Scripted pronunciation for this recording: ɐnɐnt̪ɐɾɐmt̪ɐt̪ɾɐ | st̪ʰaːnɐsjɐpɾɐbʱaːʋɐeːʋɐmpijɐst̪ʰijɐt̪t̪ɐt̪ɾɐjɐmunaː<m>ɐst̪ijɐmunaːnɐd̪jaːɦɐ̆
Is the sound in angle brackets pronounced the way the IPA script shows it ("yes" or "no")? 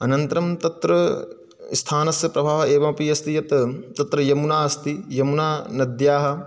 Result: no